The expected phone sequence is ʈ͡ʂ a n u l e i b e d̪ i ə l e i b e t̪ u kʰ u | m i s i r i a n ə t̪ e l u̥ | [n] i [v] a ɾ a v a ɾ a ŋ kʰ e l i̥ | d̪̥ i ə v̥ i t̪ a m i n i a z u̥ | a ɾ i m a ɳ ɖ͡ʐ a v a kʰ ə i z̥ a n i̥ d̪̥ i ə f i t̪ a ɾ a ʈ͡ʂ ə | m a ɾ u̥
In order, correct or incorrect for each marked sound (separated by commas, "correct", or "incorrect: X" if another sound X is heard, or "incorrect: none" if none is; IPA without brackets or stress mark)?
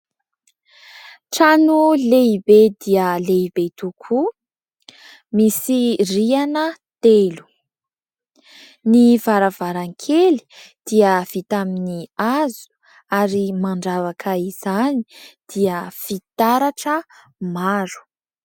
correct, correct